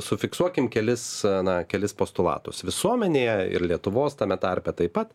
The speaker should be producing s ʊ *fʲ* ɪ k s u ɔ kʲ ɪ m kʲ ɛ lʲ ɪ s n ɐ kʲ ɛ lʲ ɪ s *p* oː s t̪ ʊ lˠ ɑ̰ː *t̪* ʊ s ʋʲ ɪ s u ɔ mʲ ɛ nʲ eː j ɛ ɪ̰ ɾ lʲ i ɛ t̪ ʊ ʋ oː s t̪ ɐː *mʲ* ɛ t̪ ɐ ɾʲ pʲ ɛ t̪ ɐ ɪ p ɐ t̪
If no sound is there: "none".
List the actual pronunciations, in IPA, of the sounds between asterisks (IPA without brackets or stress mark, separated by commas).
fʲ, p, t̪, mʲ